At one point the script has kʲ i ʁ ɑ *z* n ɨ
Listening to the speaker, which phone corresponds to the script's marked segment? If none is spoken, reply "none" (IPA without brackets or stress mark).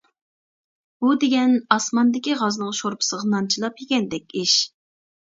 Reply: z